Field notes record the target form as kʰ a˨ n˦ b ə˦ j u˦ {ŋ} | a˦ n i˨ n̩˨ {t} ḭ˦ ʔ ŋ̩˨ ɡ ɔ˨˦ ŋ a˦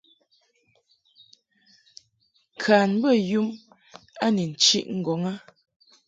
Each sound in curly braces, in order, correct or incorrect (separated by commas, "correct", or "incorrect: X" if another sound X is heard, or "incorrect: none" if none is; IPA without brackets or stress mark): incorrect: m, incorrect: t͡ʃ